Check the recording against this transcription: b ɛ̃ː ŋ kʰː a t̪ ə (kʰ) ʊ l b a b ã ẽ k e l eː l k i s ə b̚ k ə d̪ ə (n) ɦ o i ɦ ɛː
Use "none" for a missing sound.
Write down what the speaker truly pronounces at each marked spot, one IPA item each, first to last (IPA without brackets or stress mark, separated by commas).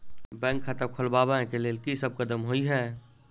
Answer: kʰ, m